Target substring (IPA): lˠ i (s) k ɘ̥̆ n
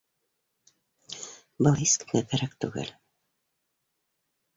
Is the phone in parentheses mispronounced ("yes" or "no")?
no